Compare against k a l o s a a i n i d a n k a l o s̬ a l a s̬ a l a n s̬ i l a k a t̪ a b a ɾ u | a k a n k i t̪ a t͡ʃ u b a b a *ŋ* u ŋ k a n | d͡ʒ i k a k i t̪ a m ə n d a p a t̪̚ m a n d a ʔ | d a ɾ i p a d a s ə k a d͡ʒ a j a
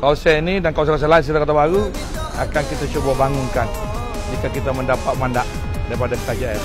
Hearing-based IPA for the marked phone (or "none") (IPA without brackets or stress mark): ŋ